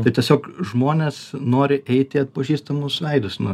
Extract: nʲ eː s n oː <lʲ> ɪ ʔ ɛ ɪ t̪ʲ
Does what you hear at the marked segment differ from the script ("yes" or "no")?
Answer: yes